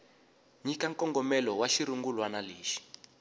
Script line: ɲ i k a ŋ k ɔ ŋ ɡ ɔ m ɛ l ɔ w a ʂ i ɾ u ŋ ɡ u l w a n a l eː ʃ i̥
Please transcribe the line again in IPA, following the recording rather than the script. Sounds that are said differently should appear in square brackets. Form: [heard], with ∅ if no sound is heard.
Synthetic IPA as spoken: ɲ i k a ŋ k ɔ ŋ ɡ ɔ m ɛ l ɔ w a [ʃ] i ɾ u ŋ ɡ u l w a n a l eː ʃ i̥